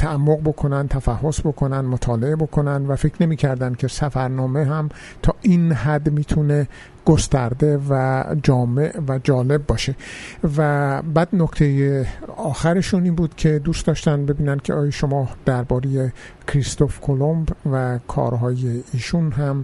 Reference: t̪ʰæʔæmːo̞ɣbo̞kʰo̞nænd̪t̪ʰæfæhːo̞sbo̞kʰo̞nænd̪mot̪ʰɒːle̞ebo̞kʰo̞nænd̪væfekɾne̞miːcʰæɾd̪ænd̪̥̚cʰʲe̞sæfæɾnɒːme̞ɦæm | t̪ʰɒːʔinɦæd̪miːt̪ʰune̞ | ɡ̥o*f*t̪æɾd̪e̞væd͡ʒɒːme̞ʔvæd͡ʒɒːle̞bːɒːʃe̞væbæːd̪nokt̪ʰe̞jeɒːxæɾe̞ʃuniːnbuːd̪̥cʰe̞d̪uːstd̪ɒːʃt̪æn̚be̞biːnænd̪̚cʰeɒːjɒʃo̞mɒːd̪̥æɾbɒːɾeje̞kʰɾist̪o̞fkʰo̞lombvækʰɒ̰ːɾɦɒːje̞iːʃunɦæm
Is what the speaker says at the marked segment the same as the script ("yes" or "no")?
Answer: no